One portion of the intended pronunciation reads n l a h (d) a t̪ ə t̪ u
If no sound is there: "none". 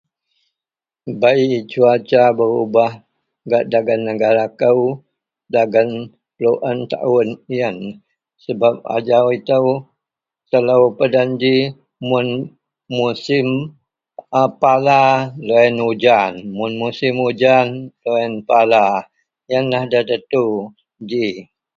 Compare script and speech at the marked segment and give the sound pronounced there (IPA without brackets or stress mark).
d